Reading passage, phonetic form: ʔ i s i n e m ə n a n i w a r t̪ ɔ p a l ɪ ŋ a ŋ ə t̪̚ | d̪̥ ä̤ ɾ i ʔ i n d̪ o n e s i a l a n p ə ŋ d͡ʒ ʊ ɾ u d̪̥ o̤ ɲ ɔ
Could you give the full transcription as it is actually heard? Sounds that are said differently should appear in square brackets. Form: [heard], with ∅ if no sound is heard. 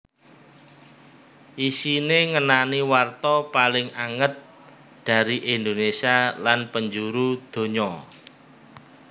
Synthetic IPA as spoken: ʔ i s i n e [ŋ] ə n a n i w a r t̪ ɔ p a l ɪ ŋ a ŋ ə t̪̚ | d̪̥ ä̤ ɾ i ʔ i n d̪ o n e s i a l a n p ə [ɲ] d͡ʒ [u] ɾ u d̪̥ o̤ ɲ ɔ